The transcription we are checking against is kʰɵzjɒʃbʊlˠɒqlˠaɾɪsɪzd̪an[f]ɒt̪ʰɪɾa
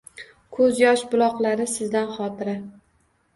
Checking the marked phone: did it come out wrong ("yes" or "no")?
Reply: yes